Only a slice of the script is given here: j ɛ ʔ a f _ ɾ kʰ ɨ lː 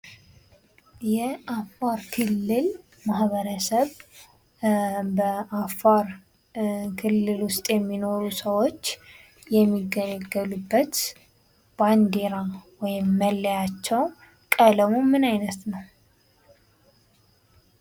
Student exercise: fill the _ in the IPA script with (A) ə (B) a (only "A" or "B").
B